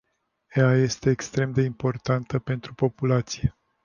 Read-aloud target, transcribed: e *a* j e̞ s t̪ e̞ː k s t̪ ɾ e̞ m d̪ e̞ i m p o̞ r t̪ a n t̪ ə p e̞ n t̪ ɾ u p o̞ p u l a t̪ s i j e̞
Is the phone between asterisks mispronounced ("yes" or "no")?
no